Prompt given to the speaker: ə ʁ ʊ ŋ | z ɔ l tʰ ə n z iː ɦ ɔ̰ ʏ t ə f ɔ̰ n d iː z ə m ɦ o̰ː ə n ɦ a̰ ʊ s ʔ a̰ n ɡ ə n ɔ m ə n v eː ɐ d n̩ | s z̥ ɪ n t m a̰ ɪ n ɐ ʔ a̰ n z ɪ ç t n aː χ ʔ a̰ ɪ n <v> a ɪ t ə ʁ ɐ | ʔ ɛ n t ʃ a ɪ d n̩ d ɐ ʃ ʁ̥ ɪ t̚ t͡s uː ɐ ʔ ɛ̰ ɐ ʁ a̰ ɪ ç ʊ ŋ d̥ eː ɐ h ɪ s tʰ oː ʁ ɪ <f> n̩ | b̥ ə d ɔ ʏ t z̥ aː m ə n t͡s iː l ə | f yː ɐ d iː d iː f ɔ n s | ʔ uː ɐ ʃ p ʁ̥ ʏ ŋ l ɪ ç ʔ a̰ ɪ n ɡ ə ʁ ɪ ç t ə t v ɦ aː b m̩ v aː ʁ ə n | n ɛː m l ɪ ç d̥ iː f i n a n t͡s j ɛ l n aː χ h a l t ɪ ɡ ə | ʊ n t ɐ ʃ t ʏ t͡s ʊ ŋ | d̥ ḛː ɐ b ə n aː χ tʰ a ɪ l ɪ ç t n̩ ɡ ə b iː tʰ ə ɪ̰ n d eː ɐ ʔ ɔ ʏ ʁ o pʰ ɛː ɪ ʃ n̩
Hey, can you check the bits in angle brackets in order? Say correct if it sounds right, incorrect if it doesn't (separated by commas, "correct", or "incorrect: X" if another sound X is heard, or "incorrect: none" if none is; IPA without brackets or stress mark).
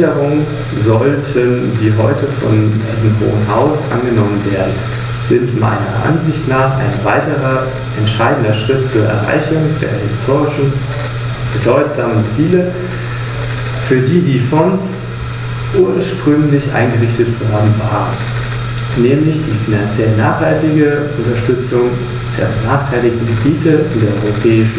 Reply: correct, incorrect: ʃ